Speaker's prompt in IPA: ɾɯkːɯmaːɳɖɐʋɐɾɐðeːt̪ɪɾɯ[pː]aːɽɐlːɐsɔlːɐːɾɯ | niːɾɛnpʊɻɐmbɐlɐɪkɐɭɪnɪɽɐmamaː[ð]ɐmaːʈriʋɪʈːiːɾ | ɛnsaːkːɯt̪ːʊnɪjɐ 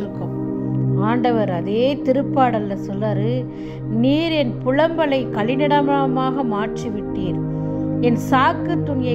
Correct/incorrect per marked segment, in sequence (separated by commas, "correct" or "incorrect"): correct, incorrect